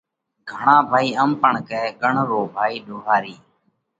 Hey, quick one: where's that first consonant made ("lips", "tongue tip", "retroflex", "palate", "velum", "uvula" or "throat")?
velum